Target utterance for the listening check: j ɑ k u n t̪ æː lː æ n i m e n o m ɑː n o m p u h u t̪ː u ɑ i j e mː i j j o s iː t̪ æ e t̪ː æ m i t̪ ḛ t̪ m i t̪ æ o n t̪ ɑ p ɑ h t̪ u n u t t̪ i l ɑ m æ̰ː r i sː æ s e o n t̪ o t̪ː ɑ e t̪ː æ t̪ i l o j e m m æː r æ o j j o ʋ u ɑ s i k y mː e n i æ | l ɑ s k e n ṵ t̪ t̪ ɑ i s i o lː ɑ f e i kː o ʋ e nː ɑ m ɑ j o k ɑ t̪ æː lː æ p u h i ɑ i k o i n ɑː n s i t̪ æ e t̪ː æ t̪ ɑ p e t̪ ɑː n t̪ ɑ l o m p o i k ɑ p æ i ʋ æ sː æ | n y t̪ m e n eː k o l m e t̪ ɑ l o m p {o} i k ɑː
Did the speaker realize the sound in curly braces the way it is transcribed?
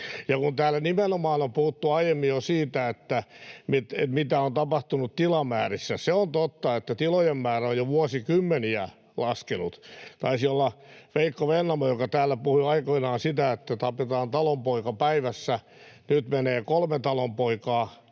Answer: yes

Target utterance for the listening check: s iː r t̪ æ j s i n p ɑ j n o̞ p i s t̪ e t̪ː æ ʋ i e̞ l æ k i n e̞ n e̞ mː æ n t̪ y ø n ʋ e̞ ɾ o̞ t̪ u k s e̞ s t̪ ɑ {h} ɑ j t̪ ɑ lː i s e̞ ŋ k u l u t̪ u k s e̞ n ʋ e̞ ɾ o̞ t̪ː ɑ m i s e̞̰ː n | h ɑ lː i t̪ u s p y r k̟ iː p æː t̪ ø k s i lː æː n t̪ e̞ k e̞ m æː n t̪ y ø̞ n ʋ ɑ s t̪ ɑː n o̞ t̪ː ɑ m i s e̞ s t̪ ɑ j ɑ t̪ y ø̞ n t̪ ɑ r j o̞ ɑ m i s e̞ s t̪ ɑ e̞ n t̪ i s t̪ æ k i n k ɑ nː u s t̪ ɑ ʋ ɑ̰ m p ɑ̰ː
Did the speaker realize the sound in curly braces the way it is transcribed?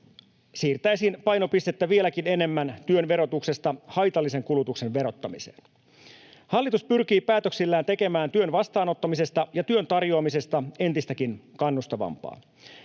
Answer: yes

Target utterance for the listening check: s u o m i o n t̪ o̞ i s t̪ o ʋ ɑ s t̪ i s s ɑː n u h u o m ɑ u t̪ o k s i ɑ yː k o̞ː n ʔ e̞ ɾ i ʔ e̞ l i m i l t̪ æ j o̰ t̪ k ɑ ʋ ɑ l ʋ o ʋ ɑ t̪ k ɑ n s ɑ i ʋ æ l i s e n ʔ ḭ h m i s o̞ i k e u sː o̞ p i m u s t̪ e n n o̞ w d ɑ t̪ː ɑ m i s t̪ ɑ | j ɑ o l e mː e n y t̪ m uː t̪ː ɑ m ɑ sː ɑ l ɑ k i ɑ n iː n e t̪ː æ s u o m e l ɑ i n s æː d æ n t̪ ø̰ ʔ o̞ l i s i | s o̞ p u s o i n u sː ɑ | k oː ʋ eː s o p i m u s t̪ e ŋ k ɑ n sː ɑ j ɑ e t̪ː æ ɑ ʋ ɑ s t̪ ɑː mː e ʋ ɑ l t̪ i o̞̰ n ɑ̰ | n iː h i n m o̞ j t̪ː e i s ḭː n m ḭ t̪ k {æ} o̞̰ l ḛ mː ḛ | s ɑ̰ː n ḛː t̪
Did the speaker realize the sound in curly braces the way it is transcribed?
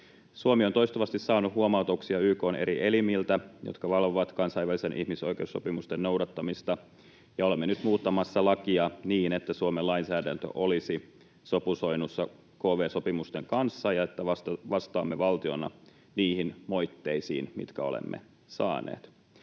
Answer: yes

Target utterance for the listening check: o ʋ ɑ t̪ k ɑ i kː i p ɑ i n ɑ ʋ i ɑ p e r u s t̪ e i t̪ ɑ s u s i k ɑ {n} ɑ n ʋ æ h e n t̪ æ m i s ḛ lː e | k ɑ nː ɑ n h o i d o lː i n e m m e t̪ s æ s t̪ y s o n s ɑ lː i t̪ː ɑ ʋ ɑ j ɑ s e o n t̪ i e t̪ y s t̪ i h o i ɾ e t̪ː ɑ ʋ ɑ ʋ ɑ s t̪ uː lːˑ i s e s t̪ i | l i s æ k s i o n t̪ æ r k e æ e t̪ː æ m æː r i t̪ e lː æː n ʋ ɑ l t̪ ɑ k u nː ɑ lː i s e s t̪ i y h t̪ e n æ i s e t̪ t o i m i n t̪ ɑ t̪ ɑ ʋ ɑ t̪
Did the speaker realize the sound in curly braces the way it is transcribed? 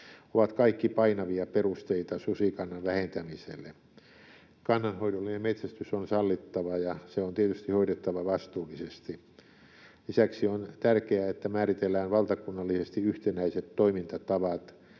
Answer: no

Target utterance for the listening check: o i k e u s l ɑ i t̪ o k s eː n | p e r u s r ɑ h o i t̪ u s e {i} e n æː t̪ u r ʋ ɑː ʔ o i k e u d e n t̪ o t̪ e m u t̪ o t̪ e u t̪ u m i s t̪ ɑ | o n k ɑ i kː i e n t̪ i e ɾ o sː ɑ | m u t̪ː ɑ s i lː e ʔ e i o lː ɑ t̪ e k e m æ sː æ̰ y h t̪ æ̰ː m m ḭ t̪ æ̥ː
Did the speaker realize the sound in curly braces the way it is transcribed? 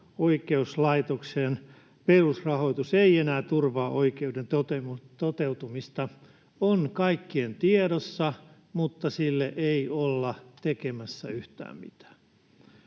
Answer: yes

